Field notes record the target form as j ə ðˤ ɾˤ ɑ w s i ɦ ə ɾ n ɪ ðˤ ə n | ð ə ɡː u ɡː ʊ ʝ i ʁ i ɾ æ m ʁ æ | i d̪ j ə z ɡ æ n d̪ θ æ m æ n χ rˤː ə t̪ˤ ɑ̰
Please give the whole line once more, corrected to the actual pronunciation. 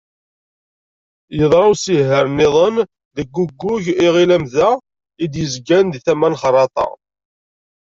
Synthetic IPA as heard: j ə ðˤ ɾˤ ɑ w s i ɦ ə ɾ n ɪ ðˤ ə n | ð ə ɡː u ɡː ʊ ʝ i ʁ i l æ m ð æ | i d̪ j ə z ɡ æ n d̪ θ æ m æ n χ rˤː ɑ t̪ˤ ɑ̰